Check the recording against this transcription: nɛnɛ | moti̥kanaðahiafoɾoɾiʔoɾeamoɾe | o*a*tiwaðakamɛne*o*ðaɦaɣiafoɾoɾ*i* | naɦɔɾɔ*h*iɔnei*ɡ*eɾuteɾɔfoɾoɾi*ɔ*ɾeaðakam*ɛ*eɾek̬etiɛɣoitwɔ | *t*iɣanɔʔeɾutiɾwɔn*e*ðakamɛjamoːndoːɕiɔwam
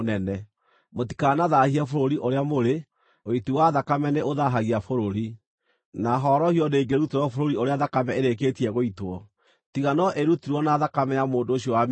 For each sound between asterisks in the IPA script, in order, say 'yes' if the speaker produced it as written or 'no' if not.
no, yes, yes, yes, yes, no, yes, yes, no

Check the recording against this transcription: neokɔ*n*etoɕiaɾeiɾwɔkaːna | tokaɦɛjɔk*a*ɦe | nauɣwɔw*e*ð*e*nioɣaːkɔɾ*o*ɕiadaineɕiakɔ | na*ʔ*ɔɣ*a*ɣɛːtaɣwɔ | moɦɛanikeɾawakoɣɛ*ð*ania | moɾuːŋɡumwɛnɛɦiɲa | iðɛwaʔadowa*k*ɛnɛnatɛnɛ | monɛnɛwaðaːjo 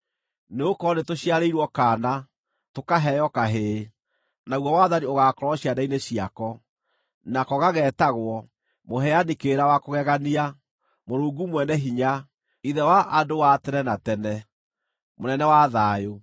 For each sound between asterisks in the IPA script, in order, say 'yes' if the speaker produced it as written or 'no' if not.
yes, yes, no, no, no, no, yes, no, no

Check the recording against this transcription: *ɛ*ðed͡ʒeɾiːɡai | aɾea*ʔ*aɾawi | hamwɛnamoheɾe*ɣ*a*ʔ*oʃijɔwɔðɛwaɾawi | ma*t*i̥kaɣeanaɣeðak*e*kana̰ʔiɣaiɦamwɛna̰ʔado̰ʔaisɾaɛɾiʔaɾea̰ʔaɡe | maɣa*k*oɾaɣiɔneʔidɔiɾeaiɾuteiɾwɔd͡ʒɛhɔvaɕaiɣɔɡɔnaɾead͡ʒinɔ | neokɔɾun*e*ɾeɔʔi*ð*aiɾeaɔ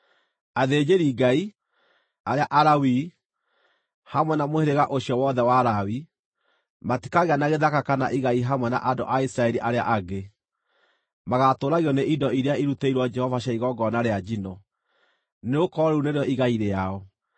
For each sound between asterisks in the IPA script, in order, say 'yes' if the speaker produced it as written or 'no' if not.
no, yes, yes, yes, yes, no, no, yes, no

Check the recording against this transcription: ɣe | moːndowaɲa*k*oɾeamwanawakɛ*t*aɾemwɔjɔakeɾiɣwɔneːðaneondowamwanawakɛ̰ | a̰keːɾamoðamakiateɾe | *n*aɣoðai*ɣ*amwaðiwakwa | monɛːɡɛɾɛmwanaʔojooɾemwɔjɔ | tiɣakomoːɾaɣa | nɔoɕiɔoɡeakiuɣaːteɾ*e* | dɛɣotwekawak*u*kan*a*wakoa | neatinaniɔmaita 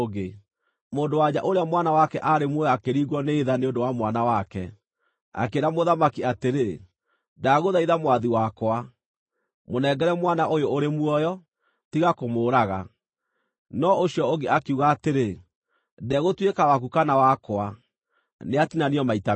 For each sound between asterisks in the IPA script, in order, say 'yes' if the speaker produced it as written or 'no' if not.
no, no, no, no, yes, yes, yes

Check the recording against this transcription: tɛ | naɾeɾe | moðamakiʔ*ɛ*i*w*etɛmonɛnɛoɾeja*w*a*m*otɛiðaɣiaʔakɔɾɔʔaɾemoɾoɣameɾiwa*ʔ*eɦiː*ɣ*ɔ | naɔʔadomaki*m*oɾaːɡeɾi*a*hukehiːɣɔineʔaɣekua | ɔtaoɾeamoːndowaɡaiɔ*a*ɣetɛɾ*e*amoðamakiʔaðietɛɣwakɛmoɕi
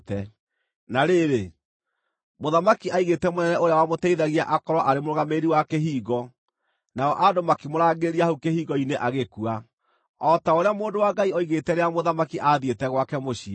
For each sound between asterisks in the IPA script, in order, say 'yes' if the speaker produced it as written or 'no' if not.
no, no, yes, yes, no, yes, yes, yes, no, yes

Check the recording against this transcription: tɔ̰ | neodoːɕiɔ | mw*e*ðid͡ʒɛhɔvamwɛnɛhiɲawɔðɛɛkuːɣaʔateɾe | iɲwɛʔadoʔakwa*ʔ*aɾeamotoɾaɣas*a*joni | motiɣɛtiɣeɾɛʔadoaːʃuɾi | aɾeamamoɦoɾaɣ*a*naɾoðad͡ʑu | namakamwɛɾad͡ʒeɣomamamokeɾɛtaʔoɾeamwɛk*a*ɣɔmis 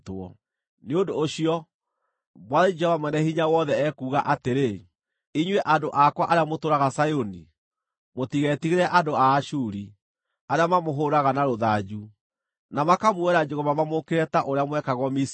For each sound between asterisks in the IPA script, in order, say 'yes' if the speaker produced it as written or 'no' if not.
no, yes, yes, yes, yes

